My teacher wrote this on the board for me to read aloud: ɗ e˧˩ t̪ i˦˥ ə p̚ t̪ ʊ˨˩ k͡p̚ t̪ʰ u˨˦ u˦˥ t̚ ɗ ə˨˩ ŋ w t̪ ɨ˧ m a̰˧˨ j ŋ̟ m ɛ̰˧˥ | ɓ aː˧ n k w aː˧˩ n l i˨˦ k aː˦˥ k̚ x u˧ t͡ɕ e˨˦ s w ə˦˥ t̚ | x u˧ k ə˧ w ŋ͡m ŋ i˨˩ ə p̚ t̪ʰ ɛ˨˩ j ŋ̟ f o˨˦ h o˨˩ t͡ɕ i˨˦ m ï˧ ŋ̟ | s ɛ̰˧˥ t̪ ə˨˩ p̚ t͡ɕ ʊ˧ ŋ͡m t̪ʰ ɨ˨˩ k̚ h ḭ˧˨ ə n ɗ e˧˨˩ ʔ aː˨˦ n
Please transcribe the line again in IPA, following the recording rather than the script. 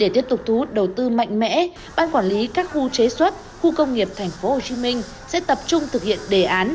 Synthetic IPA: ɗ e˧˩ t̪ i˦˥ ə p̚ t̪ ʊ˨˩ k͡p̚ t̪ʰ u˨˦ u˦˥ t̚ ɗ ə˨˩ w t̪ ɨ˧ m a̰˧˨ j ŋ̟ m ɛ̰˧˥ | ɓ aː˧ n k w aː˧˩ n l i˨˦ k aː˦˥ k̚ x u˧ t͡ɕ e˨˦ s w ə˦˥ t̚ | x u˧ k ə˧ w ŋ͡m ŋ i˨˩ ə p̚ t̪ʰ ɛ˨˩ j ŋ̟ f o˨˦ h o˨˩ t͡ɕ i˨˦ m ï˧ ŋ̟ | s ɛ̰˧˥ t̪ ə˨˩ p̚ t͡ɕ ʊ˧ ŋ͡m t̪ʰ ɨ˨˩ k̚ h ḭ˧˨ ə n ɗ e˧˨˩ ʔ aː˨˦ n